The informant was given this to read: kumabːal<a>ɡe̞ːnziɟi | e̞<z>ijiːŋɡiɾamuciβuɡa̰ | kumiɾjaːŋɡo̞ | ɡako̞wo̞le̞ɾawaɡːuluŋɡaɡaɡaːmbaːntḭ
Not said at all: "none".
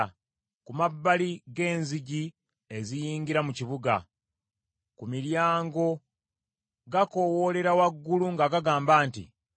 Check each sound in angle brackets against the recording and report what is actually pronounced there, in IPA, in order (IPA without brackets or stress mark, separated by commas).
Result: i, z